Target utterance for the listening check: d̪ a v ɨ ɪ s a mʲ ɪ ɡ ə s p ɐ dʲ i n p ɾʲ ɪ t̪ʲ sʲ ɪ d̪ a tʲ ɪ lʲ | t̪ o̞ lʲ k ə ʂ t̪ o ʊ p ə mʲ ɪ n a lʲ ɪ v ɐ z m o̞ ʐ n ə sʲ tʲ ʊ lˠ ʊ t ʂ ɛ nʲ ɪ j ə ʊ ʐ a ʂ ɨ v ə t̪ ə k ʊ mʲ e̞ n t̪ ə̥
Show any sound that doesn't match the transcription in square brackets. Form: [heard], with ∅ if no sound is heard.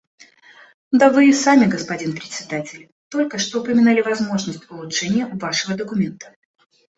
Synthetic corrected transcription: d̪ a v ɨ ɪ s a mʲ ɪ ɡ ə s p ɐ dʲ i n p ɾʲ ɪ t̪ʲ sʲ ɪ d̪ a tʲ ɪ lʲ | t̪ o̞ lʲ k ə ʂ t̪ o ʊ p ə mʲ ɪ n a lʲ ɪ v ɐ z m o̞ ʐ n ə sʲ tʲ ʊ lˠ ʊ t ʂ ɛ nʲ ɪ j ə ʊ [v] a ʂ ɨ v ə [d̪] ə k ʊ mʲ e̞ n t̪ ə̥